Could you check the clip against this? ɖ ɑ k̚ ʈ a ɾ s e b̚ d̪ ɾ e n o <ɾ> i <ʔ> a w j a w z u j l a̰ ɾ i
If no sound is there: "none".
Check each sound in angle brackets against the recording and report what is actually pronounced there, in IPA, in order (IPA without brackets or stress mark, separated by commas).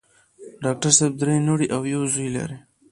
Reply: ɽ, ʔ